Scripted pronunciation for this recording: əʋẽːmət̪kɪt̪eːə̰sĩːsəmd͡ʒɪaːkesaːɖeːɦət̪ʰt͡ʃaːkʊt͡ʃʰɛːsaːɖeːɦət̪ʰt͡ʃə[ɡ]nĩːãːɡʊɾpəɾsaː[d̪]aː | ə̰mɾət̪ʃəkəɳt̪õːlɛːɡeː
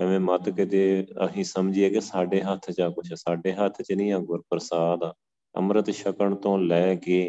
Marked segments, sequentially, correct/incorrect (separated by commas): incorrect, correct